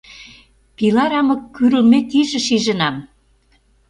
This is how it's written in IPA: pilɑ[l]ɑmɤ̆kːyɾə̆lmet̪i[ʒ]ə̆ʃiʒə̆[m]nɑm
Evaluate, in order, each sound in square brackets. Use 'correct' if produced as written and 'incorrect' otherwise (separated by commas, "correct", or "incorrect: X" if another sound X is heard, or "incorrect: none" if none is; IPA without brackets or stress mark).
incorrect: ɾ, correct, incorrect: none